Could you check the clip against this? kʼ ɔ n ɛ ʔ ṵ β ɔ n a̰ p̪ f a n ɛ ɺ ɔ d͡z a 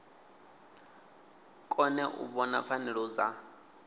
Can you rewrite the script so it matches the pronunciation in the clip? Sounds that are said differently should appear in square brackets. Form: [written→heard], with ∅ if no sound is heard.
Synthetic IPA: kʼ ɔ n ɛ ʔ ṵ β ɔ n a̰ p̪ f a n ɛ ɺ ɔ d͡z a